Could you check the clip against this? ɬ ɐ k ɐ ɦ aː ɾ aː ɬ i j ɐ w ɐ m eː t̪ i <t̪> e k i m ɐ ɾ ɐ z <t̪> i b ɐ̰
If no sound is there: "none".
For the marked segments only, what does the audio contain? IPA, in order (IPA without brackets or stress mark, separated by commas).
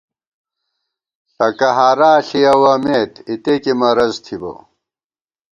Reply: t̪, t̪ʰ